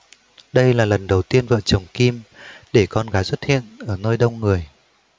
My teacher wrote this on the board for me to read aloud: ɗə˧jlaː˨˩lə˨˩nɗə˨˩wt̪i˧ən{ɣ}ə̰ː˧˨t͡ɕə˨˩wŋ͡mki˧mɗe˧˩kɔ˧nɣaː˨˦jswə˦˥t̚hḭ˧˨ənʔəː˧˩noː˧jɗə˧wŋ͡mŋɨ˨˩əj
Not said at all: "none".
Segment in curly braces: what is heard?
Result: v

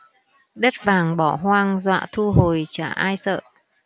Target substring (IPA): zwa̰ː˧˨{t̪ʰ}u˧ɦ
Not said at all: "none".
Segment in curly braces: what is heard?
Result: t̪ʰ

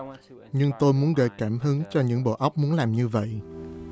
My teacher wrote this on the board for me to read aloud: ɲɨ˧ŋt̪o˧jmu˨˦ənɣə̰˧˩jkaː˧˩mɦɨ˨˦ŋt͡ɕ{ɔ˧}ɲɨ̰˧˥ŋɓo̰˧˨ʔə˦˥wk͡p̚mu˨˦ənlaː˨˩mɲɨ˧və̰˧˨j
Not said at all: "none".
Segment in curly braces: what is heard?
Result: ɔ˧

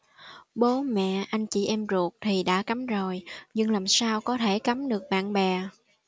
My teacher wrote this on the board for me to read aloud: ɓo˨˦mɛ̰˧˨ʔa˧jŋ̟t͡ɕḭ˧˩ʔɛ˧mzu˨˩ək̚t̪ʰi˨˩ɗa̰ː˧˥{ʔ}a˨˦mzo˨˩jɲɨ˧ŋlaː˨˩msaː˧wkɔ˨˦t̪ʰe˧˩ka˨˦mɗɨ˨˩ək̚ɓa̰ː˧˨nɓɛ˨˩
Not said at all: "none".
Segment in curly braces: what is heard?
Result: k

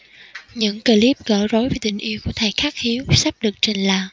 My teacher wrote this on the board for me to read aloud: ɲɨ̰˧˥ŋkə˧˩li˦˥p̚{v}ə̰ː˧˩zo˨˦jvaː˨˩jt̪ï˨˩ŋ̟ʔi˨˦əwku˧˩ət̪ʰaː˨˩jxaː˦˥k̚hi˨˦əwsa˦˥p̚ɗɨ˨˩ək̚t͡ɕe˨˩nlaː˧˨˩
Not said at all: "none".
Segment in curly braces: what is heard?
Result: ɣ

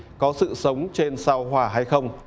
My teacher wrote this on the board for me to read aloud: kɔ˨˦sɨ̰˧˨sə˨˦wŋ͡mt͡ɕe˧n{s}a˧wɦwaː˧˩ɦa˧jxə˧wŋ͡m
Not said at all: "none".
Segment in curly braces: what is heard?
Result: s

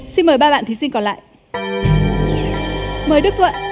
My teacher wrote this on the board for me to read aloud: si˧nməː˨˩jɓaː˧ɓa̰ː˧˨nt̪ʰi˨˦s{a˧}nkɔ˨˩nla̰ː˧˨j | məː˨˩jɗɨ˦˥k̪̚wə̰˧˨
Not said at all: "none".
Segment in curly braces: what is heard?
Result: i˧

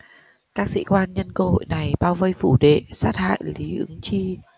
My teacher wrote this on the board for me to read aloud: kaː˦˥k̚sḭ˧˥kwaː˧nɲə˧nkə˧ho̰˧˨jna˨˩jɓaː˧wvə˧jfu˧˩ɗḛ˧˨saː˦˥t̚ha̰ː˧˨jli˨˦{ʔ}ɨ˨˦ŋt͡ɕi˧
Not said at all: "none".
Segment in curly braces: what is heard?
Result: ʔ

